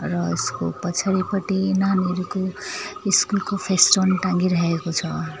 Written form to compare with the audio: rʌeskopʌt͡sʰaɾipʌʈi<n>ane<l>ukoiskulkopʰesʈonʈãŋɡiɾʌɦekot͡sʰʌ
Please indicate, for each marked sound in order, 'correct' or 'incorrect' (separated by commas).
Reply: correct, incorrect